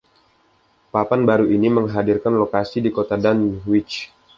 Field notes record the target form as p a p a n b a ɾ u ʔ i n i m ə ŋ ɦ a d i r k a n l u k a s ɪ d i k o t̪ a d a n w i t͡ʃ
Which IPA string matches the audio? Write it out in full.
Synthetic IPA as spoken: p a p a n b a ɾ u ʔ i n i m ə ŋ ɦ a d i r k a n l o k a s i d i k o t̪ a d a n w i t͡ʃ

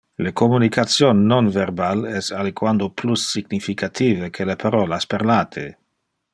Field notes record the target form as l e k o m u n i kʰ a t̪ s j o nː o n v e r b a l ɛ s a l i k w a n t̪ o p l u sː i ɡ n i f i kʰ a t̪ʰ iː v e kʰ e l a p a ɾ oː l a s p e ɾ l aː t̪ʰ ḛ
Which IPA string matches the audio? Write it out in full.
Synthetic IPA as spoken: l e k o m u n i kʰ a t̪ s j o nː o n v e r b a l ɛ s a l i k w a n d̪ o p l u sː i ɡ n i f i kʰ a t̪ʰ iː v e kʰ e l e p a ɾ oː l a s p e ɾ l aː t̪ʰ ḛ

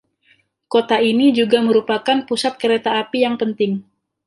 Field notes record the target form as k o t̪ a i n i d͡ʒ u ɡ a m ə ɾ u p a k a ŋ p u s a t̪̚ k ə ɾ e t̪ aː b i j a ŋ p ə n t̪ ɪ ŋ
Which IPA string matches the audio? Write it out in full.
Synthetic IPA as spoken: k o t̪ a i n i d͡ʒ u ɡ a m ə ɾ u p a k a n p u s a t̪̚ k ə ɾ e t̪ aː p i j a ŋ p ə n t̪ ɪ ŋ

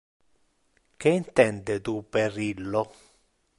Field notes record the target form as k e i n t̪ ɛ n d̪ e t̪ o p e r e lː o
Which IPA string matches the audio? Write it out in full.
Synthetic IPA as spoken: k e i n t̪ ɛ n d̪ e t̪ u p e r i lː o

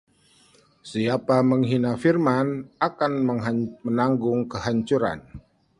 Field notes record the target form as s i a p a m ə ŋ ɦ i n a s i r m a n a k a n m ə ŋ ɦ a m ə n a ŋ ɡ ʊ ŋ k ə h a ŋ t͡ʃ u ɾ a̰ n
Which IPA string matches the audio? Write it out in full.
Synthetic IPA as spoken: s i a p a m ə ŋ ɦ i n a f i r m a n a k a n m ə ŋ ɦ a m ə n a ŋ ɡ ʊ ŋ k ə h a ɲ t͡ʃ u ɾ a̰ n

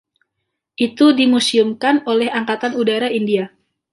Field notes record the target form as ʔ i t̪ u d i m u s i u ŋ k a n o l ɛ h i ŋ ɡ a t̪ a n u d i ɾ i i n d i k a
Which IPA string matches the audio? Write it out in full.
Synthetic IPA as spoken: ʔ i t̪ u d i m u s i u m k a n o l ɛ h a ŋ k a t̪ a n u d a ɾ a i n d i a

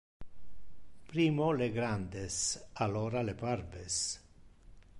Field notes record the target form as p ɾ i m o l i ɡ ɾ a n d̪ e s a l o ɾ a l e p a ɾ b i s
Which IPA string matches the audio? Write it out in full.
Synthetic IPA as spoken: p ɾ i m o l e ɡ ɾ a n d̪ e s a l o ɾ a l e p a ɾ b e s

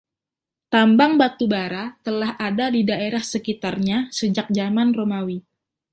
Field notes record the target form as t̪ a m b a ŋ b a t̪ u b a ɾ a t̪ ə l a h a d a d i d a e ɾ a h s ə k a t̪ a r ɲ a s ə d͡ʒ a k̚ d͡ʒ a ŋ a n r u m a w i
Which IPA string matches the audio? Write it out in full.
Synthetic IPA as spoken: t̪ a m b a ŋ b a t̪ u b a ɾ a t̪ ə l a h a d a d i d a e ɾ a h s ə k i t̪ a r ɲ a s ə d͡ʒ a k̚ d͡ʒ a m a n r o m a w i

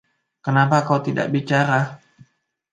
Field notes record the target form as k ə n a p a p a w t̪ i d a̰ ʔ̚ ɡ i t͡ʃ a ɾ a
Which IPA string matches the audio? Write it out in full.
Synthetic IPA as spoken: k ə n a p a k a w t̪ i d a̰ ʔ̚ b i t͡ʃ a ɾ a

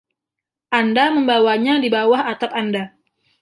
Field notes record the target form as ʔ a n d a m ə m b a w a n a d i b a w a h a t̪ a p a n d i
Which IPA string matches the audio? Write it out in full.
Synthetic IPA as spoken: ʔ a n d a m ə m b a w a ɲ a d i b a w a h a t̪ a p a n d a

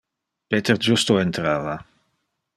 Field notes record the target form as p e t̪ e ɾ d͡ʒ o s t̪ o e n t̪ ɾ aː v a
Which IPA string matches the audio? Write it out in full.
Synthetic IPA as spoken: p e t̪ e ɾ d͡ʒ u s t̪ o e n t̪ ɾ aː v a

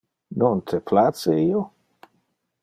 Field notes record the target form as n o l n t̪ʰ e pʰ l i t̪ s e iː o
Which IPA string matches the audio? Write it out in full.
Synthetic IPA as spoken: n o n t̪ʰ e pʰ l a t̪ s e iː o

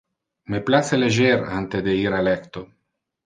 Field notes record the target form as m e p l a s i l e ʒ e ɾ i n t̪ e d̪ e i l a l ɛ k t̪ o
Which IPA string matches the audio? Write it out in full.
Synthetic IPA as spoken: m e p l a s e l e ʒ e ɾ a n t̪ e d̪ e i ɾ a l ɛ k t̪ o

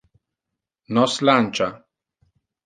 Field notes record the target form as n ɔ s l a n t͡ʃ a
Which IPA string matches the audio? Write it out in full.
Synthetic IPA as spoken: n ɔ s l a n t͡ʃ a

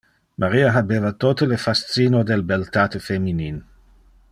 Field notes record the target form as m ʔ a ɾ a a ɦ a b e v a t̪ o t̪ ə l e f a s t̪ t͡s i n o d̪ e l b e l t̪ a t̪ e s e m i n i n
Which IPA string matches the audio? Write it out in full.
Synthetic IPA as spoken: m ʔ a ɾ i a ɦ a b e v a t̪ o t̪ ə l e f a s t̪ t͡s i n o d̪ e l b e l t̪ a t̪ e f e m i n i n

